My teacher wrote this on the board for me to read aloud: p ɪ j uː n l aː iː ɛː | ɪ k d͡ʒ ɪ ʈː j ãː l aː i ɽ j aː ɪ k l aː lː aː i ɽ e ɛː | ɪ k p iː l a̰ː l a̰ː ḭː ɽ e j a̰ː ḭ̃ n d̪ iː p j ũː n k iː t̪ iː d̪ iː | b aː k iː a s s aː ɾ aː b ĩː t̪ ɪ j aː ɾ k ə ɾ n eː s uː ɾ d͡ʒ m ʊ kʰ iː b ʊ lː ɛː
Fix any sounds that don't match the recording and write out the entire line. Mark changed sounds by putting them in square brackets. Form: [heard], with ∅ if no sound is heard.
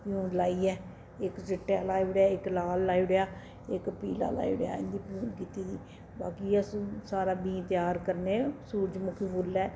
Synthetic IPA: p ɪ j uː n l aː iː ɛː | ɪ k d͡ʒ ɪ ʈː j [aː] l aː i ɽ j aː ɪ k l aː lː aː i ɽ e [aː] | ɪ k p iː l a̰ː l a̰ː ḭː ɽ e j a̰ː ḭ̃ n d̪ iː p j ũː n k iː t̪ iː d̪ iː | b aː k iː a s s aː ɾ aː b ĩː t̪ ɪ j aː ɾ k ə ɾ n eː s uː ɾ d͡ʒ m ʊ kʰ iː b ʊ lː ɛː